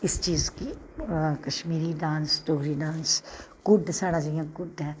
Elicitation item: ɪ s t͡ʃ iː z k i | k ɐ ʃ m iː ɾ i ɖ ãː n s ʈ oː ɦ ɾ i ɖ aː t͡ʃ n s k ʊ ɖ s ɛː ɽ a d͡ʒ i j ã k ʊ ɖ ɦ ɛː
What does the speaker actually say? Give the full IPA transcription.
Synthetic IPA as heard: ɪ s t͡ʃ iː z k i | k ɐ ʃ m iː ɾ i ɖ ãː n s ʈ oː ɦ ɾ i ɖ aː n s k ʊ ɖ s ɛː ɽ a d͡ʒ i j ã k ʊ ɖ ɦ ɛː